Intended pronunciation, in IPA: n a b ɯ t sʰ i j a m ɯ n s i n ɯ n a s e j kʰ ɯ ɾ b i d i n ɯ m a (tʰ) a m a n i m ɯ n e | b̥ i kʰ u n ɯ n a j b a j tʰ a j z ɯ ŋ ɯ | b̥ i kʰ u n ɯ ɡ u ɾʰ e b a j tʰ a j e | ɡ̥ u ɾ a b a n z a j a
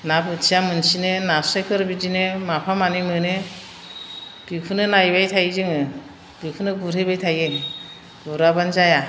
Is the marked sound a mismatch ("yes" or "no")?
yes